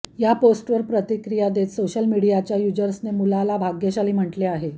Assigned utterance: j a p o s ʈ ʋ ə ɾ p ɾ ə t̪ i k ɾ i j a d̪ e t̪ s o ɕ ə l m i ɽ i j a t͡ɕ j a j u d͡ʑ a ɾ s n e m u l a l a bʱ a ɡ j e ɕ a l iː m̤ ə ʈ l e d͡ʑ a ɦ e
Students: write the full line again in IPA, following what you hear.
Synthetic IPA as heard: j a p o s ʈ ʋ ə ɾ p ɾ ə t̪ i k ɾ i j a d̪ e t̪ s o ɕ ə l m i ɽ i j a t͡ɕ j a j u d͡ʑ ə ɾ s n e m u l a l a bʱ a ɡ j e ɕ a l iː m̤ ə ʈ l e a ɦ e